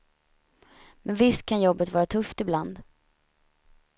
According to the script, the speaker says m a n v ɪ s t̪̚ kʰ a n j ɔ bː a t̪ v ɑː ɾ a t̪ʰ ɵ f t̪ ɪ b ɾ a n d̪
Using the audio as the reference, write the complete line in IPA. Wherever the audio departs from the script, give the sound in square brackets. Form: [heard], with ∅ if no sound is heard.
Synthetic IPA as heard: m [ɛ] n v ɪ s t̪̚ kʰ a n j ɔ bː [ə] t̪ v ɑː ɾ a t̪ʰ ɵ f t̪ ɪ b [l] a n d̪